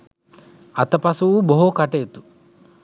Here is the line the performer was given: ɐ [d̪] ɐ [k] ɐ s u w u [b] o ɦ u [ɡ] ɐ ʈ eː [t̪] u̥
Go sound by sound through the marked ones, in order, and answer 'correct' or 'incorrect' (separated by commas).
incorrect, incorrect, correct, incorrect, correct